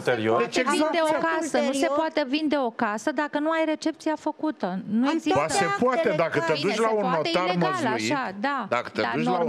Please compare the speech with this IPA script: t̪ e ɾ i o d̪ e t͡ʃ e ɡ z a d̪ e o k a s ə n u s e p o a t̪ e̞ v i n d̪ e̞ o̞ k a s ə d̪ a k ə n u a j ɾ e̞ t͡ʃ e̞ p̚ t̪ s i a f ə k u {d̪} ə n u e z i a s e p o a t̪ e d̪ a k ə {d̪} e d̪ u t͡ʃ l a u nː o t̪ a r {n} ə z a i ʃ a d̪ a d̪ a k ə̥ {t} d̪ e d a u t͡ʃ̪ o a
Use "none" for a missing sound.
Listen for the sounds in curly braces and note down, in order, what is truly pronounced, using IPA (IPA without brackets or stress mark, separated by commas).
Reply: t̪, t̪, m, t